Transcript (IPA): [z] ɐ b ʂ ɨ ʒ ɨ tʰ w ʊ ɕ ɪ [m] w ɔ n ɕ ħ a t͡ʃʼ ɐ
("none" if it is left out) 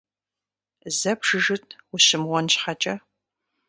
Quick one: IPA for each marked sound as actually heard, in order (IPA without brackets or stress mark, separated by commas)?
z, m